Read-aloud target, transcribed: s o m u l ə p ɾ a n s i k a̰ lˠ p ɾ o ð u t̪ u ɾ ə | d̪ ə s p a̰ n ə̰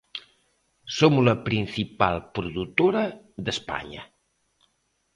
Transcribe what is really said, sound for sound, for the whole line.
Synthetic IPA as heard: s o m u l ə p ɾ i n s i p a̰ lˠ p ɾ u ð u t̪ o ɾ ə | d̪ ə s p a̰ ɲ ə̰